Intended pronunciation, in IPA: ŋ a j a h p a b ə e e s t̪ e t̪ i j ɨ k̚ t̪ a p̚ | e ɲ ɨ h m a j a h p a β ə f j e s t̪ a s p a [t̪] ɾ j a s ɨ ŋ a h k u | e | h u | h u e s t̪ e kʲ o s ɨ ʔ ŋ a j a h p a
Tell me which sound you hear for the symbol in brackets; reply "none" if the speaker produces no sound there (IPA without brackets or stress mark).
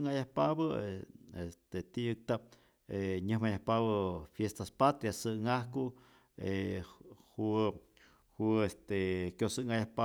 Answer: t̪